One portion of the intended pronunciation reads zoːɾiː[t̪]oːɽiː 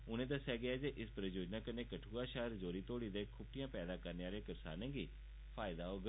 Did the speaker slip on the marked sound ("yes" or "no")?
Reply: no